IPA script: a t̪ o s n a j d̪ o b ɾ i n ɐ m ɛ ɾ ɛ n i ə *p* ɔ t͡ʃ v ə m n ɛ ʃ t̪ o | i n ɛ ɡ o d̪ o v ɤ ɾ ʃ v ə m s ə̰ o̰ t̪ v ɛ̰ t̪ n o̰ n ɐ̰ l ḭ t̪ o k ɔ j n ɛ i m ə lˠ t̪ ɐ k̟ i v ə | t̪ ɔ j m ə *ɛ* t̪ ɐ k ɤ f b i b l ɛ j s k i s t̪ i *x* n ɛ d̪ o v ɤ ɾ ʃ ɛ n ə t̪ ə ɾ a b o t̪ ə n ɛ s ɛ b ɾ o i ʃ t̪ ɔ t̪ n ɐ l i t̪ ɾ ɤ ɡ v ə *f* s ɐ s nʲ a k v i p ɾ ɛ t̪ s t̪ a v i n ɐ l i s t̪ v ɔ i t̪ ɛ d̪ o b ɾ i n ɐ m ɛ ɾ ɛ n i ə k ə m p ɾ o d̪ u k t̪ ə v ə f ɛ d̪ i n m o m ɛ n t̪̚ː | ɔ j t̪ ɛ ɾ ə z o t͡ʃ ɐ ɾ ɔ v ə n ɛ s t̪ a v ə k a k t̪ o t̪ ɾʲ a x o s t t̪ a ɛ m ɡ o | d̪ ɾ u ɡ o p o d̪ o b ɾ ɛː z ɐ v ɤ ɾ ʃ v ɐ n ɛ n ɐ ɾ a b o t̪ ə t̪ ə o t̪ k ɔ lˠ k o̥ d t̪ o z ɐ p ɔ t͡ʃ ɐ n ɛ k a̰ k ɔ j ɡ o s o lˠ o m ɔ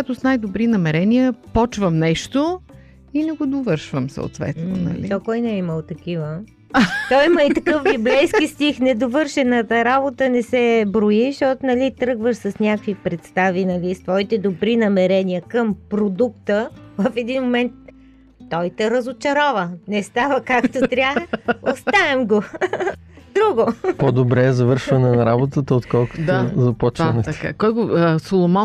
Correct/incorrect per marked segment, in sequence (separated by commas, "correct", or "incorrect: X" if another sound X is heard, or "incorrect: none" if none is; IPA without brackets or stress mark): correct, incorrect: i, correct, incorrect: ʃ